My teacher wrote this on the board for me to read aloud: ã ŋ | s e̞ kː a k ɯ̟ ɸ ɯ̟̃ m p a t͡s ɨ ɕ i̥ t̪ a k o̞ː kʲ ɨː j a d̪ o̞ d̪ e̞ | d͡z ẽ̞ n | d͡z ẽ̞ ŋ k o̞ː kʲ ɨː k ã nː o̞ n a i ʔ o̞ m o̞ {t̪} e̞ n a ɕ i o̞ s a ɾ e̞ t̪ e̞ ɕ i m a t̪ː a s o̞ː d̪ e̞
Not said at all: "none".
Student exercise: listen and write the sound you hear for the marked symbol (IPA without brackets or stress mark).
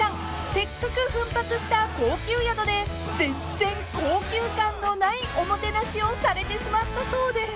t̪